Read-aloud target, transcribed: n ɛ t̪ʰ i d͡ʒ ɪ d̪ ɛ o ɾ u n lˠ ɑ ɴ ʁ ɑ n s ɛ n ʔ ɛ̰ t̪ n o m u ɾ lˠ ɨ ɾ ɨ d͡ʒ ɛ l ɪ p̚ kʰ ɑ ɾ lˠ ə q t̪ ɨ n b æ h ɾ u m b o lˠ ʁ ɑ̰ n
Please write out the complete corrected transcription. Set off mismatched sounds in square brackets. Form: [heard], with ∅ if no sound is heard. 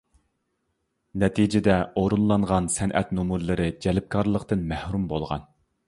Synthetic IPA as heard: n ɛ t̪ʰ i d͡ʒ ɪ d̪ ɛ o ɾ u n lˠ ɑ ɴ ʁ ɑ n s ɛ n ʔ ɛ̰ t̪ n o m u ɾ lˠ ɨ ɾ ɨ d͡ʒ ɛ l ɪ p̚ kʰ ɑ ɾ lˠ ə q t̪ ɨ n [m] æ h ɾ u m b o lˠ ʁ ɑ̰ n